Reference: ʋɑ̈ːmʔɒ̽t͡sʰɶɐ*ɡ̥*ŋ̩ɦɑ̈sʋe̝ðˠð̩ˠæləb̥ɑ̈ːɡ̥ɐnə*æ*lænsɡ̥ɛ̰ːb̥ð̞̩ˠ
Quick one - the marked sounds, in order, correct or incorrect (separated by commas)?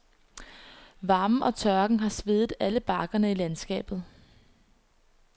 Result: correct, incorrect